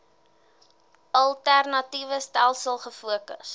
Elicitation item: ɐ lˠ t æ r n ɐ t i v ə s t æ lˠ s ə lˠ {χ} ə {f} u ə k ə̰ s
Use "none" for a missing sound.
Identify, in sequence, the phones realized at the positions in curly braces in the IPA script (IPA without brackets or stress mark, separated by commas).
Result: χ, f